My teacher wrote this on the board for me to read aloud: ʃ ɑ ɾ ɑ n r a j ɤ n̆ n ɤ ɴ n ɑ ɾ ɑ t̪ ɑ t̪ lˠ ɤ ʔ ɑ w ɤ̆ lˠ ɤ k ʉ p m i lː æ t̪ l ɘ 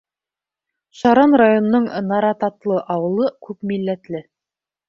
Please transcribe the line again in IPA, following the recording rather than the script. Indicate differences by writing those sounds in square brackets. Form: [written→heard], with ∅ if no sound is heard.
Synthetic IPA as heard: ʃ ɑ ɾ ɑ n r a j [ɤ→o] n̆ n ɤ ɴ n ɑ ɾ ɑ t̪ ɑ t̪ lˠ ɤ ʔ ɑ w ɤ̆ lˠ ɤ k ʉ p m i lː æ t̪ l ɘ